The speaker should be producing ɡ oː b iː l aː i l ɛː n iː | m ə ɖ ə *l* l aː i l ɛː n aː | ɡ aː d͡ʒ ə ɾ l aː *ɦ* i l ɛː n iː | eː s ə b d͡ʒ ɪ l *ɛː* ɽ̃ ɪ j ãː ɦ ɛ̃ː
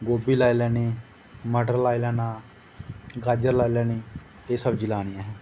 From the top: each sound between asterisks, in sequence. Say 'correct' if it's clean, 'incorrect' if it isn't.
incorrect: ɾ, incorrect: none, incorrect: aː

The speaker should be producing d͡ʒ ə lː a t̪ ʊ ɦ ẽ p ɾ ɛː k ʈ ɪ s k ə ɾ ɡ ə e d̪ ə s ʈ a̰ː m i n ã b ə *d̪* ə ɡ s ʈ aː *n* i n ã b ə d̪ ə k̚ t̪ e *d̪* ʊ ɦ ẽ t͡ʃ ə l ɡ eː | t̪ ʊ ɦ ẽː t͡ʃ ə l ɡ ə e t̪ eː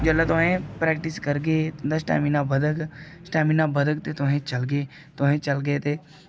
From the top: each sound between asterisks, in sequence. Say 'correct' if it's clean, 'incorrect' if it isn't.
correct, incorrect: m, incorrect: t̪

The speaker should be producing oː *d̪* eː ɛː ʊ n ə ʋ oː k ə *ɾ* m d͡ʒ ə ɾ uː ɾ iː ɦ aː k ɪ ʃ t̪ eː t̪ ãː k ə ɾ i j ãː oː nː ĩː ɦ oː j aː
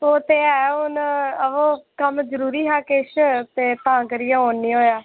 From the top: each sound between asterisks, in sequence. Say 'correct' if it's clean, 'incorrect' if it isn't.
incorrect: t̪, incorrect: none

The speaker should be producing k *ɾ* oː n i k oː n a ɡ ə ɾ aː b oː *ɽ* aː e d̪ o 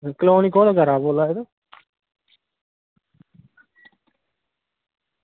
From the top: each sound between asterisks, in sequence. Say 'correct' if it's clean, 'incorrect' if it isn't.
incorrect: l, incorrect: l

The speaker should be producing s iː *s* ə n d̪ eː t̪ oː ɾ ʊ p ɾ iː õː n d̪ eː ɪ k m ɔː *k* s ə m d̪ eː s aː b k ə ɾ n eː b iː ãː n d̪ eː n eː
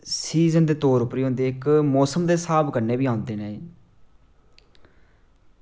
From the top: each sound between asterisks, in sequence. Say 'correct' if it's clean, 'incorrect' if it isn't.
incorrect: z, incorrect: none

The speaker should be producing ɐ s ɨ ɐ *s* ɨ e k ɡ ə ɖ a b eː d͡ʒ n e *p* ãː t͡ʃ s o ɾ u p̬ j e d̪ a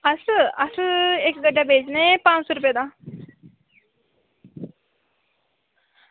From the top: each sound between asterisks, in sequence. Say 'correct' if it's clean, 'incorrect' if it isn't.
correct, correct

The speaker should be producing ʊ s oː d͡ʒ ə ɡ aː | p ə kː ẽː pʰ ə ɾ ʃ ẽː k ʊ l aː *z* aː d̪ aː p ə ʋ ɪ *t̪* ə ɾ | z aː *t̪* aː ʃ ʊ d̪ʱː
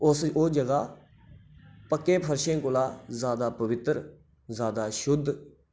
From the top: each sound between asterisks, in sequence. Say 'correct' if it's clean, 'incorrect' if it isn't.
correct, correct, incorrect: d̪

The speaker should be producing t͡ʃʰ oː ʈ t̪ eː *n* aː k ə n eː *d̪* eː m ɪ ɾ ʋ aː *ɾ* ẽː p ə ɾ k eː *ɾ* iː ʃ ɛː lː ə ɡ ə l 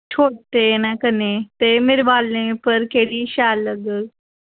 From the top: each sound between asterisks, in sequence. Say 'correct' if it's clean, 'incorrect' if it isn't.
correct, incorrect: t̪, incorrect: l, incorrect: ɽ

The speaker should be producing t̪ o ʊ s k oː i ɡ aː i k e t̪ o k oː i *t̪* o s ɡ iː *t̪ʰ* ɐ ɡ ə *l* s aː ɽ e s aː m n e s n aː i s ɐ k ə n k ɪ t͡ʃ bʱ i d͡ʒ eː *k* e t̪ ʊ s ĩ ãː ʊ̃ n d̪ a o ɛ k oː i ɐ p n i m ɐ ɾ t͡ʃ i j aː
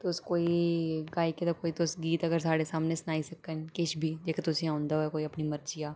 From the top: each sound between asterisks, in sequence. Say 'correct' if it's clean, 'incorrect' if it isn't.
correct, incorrect: t̪, incorrect: ɾ, correct

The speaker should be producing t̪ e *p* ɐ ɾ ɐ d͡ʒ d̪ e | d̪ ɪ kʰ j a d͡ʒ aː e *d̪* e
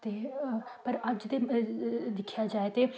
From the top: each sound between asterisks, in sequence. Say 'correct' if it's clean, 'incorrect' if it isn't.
correct, incorrect: t̪

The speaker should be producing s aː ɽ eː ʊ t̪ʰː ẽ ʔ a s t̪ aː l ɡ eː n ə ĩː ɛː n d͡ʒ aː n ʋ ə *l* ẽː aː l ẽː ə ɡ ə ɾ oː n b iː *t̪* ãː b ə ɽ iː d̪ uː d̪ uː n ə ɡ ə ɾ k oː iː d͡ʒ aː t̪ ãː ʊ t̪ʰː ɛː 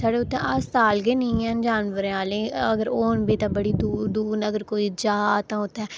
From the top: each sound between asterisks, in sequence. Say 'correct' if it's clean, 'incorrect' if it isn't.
incorrect: ɾ, correct

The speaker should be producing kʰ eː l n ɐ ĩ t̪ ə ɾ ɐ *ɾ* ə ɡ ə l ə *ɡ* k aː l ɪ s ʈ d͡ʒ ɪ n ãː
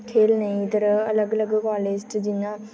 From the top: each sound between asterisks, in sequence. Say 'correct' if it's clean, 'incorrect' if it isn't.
incorrect: l, correct

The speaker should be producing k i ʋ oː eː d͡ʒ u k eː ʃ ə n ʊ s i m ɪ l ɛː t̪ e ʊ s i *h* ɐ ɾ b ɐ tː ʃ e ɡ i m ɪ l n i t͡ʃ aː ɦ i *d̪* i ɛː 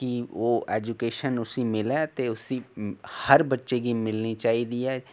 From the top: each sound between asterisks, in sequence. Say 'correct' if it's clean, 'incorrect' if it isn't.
correct, correct

